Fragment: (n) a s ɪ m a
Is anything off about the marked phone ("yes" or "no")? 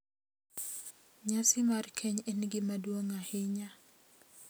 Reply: yes